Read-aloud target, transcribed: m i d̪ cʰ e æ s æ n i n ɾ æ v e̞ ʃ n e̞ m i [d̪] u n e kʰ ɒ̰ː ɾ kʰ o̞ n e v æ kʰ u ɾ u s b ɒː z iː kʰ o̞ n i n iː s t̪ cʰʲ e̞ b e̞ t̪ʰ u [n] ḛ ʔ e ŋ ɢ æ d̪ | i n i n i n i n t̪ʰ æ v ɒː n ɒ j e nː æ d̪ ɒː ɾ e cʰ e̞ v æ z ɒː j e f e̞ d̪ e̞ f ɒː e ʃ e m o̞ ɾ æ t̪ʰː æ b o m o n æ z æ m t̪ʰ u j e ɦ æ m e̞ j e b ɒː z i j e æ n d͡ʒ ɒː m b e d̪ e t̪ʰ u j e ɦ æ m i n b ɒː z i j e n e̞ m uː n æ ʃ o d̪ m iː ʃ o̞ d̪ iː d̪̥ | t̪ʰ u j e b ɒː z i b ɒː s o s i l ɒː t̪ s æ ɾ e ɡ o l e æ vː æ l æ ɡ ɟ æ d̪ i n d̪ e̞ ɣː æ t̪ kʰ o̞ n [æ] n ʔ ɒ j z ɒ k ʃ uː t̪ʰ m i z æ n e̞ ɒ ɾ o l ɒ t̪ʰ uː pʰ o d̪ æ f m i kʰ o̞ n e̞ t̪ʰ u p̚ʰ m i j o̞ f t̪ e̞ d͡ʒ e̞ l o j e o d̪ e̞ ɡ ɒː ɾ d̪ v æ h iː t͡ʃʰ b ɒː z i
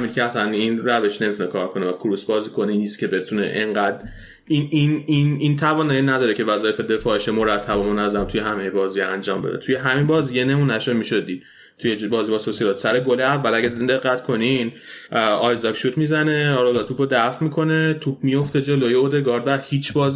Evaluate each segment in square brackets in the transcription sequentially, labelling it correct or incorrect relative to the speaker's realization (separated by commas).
incorrect, correct, incorrect